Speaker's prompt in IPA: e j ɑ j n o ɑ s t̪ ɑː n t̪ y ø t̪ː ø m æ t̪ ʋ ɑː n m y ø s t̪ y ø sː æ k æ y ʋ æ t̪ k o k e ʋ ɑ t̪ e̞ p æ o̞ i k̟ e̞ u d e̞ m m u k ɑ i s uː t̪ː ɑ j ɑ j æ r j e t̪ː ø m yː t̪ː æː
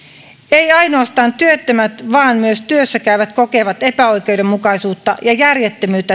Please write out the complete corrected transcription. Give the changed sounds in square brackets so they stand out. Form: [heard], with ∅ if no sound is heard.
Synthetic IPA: e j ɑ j n o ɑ s t̪ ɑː n t̪ y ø t̪ː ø m æ t̪ ʋ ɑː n m y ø s t̪ y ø sː æ k æ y ʋ æ t̪ k o k e ʋ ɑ t̪ e̞ p æ o̞ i k̟ e̞ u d e̞ m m u k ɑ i s uː t̪ː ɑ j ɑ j æ r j e t̪ː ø m yː t̪ː [æ]